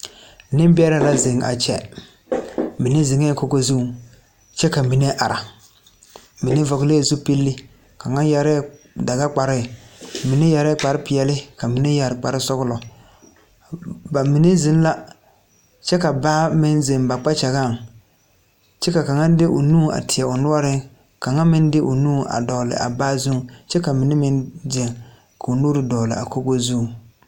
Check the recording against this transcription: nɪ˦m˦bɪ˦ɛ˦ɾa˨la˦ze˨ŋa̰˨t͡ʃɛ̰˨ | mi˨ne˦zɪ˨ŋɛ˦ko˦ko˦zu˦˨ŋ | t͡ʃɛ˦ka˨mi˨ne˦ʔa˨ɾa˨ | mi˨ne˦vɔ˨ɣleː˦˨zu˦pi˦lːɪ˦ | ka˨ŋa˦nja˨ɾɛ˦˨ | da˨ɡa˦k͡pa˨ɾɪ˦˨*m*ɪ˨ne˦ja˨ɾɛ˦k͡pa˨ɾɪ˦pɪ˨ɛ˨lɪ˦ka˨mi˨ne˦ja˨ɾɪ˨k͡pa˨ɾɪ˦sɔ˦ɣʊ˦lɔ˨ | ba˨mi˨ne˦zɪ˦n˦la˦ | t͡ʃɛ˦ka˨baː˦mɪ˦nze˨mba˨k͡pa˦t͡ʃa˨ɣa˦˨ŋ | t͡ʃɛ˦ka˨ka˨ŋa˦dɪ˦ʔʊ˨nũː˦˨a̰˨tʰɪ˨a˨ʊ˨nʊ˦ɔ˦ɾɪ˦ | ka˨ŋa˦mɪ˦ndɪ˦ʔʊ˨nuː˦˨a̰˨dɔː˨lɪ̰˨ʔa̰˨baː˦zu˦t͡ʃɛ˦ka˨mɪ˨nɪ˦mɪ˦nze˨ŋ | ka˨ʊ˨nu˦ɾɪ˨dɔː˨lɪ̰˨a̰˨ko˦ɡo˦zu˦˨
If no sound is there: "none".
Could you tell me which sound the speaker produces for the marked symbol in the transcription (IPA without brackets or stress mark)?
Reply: m